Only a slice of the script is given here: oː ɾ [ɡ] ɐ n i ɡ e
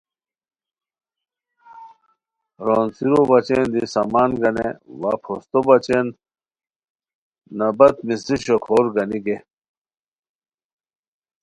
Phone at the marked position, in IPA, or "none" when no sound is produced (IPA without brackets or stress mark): ɡ